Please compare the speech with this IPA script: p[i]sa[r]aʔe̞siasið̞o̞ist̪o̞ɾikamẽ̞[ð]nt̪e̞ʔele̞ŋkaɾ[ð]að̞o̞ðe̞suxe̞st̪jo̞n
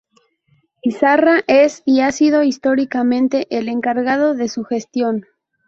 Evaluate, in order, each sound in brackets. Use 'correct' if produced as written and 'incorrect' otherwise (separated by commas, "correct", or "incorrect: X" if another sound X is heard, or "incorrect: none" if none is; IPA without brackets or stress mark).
correct, correct, incorrect: none, incorrect: ɣ